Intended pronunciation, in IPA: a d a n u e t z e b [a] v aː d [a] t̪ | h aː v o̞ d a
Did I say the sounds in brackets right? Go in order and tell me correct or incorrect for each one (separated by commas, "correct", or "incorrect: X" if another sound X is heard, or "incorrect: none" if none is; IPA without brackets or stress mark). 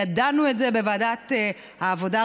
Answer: incorrect: e, correct